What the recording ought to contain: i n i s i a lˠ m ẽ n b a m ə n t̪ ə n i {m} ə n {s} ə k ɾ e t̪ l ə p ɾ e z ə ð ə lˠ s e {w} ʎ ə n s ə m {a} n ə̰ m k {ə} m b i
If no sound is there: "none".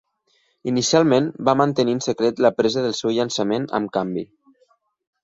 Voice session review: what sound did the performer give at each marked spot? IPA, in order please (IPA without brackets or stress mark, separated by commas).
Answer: none, s, w, e, a